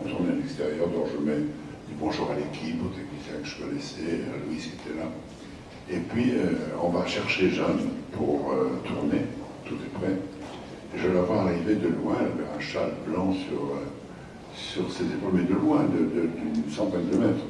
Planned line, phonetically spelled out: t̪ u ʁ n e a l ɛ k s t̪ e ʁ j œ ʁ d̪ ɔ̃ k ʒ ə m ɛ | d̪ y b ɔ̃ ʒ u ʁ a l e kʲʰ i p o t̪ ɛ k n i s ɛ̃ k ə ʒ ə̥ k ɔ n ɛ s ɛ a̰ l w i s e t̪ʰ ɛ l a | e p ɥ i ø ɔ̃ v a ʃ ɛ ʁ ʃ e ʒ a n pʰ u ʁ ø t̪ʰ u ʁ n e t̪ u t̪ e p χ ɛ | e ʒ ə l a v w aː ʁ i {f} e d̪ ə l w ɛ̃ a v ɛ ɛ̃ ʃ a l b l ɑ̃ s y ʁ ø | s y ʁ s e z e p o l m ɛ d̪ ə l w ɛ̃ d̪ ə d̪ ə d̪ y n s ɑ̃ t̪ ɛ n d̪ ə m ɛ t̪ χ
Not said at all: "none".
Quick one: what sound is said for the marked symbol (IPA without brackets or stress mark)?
v